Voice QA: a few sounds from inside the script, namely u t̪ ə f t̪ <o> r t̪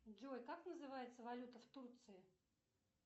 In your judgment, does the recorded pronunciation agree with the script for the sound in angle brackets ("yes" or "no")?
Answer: no